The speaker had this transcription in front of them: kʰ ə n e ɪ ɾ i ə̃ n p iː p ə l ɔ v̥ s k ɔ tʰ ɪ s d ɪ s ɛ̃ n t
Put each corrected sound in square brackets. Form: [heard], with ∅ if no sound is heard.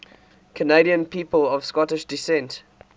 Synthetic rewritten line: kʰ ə n e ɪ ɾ i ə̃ n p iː p ə l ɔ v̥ s k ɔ [t] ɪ [ʃ] d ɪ s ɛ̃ n t